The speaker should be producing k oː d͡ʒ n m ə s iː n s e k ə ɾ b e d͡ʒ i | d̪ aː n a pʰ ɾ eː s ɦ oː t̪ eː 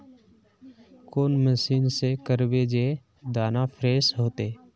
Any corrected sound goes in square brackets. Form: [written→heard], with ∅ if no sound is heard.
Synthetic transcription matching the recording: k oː [d͡ʒ→∅] n m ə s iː n s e k ə ɾ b e d͡ʒ [i→e] | d̪ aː n a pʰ ɾ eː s ɦ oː t̪ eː